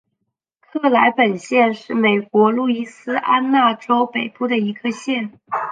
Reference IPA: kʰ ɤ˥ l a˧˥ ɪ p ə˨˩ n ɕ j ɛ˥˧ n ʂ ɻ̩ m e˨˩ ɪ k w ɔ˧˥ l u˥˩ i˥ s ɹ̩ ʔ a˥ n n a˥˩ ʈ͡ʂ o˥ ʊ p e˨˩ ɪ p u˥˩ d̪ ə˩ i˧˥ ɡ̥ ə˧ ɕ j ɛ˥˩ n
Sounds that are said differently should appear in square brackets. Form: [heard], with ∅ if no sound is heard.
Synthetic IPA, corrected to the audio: kʰ [ɤ˥˩] l a˧˥ ɪ p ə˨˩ n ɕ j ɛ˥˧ n ʂ ɻ̩ m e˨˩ ɪ k w ɔ˧˥ l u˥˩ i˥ s ɹ̩ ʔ a˥ n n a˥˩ ʈ͡ʂ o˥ ʊ p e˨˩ ɪ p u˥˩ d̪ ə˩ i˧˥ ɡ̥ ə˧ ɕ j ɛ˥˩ n